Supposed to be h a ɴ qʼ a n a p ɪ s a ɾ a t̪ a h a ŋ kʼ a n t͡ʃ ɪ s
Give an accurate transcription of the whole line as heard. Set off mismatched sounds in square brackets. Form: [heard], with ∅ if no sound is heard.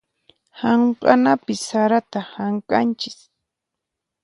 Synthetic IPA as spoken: h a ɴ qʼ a n a p ɪ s a ɾ a t̪ a h a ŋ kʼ a n t͡ʃ ɪ s